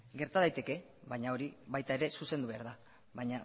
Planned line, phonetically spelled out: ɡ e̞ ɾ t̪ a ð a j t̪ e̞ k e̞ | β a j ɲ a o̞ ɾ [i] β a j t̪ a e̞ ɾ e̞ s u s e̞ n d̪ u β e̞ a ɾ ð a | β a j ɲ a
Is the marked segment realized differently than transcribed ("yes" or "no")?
no